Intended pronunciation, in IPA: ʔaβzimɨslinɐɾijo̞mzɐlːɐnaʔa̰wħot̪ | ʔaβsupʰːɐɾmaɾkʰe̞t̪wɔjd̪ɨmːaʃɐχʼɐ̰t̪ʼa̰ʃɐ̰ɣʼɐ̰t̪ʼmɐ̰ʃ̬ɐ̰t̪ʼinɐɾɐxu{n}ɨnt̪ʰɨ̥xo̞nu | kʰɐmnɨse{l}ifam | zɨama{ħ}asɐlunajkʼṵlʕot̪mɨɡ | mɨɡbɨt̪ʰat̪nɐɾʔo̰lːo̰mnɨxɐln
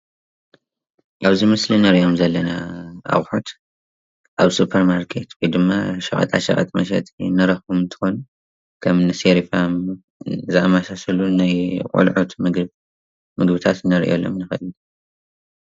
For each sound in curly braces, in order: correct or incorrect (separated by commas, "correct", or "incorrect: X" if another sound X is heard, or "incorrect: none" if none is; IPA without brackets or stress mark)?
incorrect: m, incorrect: ɾ, incorrect: s